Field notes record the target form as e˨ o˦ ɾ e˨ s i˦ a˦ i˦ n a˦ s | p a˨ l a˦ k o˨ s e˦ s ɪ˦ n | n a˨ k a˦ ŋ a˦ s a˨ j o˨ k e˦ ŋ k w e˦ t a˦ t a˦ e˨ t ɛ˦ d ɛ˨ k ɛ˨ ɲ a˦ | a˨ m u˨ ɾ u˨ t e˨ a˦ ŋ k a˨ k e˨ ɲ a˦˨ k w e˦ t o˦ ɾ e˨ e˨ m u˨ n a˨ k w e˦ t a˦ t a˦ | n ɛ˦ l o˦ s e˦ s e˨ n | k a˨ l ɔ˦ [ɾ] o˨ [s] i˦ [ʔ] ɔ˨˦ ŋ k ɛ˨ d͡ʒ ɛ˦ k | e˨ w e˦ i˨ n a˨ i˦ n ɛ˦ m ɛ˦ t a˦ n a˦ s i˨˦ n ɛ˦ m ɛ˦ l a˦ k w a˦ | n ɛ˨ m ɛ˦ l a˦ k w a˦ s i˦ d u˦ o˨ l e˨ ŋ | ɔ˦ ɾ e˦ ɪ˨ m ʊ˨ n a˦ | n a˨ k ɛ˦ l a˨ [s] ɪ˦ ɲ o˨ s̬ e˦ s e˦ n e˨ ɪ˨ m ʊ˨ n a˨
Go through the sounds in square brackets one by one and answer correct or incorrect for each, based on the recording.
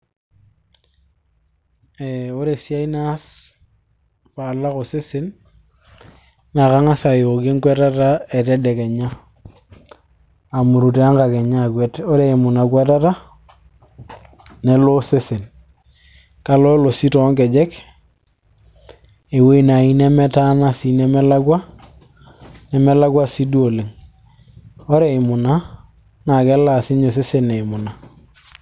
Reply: incorrect: l, correct, incorrect: t, correct

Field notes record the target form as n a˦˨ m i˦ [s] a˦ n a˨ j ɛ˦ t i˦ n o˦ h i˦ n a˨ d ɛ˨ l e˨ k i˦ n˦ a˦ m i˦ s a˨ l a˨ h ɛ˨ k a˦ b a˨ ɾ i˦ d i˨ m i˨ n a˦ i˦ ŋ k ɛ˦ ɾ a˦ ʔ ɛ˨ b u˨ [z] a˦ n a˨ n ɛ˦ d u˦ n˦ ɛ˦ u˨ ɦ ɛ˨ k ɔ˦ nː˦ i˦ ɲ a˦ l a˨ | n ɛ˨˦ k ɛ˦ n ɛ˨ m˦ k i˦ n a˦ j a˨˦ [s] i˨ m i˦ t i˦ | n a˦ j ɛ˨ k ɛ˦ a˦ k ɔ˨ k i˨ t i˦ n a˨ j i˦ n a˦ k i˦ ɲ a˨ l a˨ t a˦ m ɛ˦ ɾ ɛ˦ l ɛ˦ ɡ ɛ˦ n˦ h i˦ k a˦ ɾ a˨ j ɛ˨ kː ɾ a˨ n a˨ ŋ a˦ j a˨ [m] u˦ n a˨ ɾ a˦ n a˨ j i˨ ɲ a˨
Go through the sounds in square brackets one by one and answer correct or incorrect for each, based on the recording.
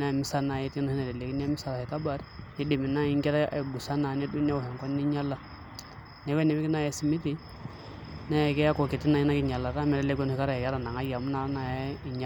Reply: correct, incorrect: s, correct, correct

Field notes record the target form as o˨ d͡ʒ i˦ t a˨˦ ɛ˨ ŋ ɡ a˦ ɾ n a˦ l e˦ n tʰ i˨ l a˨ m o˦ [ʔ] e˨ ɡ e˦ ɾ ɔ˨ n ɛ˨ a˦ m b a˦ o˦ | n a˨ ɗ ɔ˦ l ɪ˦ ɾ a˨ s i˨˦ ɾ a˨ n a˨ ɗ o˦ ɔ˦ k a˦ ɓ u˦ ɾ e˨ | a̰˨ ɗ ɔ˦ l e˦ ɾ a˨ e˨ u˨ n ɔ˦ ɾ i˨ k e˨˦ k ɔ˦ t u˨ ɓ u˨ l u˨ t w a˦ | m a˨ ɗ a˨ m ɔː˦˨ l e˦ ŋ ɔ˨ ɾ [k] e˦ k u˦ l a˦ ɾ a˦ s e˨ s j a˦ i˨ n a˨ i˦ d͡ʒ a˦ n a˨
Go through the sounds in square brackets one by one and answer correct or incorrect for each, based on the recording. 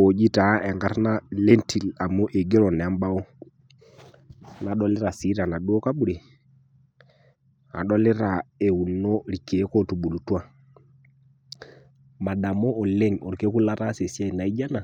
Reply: correct, correct

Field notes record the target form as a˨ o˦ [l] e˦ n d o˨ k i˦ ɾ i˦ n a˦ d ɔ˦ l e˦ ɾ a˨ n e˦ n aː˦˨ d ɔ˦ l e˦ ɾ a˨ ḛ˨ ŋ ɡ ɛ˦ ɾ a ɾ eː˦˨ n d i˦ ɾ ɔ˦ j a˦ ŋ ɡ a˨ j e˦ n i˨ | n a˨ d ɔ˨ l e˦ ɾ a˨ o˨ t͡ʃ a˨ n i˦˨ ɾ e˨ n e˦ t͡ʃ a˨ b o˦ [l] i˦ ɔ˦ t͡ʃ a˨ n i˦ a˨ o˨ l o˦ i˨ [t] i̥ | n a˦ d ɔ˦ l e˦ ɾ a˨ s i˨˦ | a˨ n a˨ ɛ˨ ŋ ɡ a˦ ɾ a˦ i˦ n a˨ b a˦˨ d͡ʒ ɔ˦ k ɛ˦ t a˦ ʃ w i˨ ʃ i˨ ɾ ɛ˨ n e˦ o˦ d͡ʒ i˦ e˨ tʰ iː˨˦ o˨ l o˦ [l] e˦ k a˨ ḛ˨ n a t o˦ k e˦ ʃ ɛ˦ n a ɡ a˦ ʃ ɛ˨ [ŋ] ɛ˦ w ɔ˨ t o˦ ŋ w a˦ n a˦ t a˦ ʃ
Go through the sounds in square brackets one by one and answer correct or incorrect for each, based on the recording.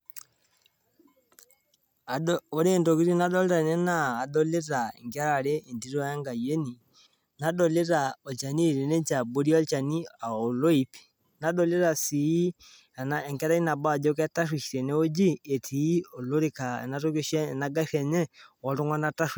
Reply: incorrect: ɾ, incorrect: ɾ, incorrect: p, incorrect: ɾ, incorrect: ɲ

